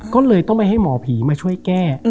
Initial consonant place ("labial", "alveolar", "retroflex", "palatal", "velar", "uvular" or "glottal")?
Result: velar